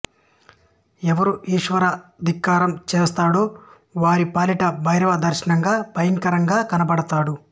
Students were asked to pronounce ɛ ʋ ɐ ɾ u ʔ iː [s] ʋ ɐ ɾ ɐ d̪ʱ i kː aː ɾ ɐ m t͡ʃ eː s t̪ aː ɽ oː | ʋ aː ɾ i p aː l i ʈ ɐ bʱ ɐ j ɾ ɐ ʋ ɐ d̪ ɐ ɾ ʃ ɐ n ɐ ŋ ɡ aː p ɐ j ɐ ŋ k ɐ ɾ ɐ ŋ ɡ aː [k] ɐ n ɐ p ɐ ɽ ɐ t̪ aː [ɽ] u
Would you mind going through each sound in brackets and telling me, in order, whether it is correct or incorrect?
incorrect: ʂ, correct, correct

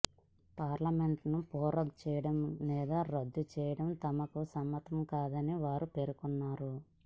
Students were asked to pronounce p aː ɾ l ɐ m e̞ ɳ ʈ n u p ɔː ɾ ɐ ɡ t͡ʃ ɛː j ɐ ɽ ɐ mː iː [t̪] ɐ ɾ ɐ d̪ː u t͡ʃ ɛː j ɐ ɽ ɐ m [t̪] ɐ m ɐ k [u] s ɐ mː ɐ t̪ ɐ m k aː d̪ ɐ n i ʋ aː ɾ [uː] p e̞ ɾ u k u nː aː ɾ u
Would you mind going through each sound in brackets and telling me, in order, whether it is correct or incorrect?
incorrect: d̪, correct, correct, incorrect: u

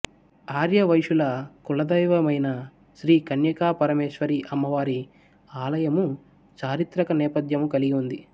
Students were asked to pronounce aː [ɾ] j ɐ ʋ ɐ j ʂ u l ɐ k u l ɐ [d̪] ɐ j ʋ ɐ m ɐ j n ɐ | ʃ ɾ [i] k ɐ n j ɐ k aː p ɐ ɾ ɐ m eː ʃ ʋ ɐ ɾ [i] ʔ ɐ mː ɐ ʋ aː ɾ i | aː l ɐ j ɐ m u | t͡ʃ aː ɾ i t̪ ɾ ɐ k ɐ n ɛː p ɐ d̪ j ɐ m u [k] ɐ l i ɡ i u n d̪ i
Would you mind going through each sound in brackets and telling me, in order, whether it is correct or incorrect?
correct, correct, incorrect: iː, correct, correct

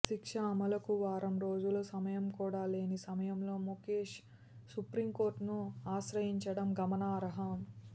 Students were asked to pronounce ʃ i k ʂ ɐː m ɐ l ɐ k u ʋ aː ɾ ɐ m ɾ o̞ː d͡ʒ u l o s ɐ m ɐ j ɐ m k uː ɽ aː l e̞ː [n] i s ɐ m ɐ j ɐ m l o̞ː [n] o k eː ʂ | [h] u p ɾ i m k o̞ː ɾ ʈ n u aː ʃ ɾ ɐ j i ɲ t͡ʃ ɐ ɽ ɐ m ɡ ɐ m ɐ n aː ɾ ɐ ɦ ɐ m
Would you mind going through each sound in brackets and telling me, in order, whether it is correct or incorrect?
correct, incorrect: m, incorrect: s

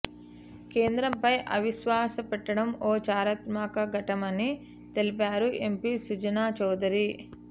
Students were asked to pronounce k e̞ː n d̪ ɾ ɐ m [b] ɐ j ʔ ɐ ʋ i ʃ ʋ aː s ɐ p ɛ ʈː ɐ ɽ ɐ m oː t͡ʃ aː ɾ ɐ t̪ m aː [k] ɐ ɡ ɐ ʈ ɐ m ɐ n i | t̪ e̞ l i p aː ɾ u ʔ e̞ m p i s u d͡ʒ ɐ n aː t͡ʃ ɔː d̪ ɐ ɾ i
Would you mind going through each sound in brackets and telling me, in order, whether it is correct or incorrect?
incorrect: p, correct

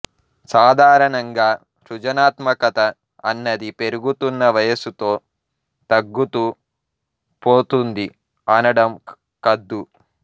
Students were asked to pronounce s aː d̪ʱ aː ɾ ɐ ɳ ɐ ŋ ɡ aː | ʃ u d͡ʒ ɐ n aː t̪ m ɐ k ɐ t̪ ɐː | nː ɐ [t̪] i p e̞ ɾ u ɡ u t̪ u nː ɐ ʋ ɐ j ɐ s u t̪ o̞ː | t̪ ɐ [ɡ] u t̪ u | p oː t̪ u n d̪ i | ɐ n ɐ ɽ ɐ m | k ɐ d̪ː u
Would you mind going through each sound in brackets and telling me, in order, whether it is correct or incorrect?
incorrect: d̪, incorrect: ɡː

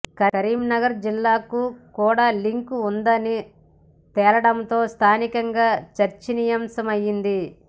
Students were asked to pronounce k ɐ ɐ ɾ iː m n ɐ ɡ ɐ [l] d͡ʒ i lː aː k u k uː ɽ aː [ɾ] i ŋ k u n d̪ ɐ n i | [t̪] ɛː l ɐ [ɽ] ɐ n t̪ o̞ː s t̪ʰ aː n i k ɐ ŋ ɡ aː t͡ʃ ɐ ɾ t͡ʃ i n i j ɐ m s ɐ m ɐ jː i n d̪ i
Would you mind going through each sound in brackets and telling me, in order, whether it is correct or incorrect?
incorrect: ɾ, incorrect: l, correct, correct

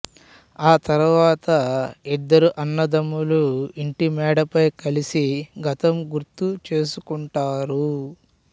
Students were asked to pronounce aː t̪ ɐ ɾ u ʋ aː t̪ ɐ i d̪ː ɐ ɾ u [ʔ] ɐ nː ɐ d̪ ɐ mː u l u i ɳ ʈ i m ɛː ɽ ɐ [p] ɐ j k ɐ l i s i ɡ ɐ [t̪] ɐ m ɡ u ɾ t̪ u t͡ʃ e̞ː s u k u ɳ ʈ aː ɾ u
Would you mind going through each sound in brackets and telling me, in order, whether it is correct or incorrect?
correct, correct, correct

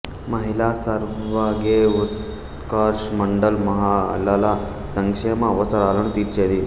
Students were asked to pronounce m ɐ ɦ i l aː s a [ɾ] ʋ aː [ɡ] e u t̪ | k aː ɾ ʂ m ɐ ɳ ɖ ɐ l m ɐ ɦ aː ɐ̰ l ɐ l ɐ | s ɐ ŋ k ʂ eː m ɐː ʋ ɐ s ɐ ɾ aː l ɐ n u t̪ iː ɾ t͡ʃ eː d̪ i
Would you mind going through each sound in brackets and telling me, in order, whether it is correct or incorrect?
correct, correct

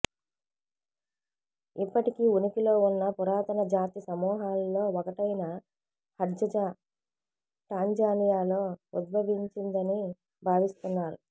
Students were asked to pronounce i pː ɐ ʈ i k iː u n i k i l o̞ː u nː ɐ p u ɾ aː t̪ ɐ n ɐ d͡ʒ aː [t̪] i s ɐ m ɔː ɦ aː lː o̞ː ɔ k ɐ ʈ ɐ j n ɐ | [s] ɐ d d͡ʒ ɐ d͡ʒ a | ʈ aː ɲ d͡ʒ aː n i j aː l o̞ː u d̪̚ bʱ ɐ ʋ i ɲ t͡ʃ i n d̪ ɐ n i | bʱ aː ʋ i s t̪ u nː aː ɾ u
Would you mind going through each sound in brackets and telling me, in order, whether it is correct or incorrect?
correct, incorrect: h

